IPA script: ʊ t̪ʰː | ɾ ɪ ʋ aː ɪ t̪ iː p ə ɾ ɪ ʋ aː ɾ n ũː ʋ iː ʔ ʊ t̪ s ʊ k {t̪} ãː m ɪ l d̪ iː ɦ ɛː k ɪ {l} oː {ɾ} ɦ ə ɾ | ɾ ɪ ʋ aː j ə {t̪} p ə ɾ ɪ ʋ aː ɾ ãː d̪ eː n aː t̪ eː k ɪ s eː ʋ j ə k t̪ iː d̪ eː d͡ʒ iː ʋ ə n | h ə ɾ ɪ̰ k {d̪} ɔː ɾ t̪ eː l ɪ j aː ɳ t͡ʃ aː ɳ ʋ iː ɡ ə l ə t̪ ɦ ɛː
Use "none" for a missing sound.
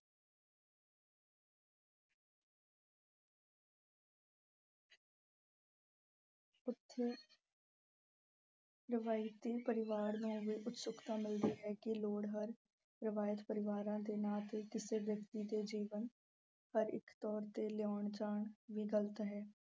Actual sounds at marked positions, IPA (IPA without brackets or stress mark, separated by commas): t̪, l, ɽ, t̪, t̪